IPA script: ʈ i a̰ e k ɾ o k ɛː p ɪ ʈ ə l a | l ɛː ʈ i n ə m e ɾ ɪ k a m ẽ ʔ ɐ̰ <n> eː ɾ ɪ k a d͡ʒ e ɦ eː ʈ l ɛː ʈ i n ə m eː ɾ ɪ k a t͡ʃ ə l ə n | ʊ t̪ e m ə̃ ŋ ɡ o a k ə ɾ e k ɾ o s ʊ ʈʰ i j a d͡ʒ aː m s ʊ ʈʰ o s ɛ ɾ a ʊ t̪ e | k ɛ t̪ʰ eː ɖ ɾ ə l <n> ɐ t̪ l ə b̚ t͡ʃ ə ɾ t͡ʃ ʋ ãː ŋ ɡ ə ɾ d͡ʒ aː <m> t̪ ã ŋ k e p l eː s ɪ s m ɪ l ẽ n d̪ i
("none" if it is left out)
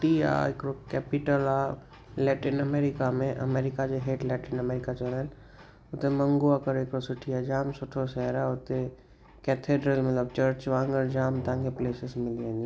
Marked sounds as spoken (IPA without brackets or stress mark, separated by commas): m, m, m